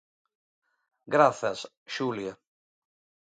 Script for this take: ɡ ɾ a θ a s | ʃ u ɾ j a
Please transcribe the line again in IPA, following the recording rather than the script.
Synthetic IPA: ɡ ɾ a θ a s | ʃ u l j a